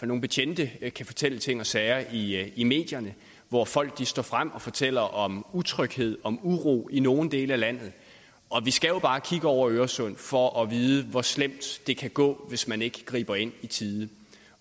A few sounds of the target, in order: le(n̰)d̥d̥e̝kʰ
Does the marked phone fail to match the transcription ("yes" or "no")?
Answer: yes